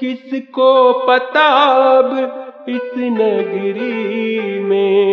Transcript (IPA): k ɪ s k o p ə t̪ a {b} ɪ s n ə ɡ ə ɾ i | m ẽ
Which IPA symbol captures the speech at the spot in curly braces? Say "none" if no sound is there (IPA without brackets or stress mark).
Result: b